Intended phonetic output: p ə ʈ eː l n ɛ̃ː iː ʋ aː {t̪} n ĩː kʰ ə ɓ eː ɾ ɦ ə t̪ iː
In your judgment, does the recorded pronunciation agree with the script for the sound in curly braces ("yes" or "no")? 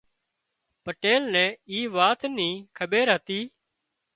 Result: yes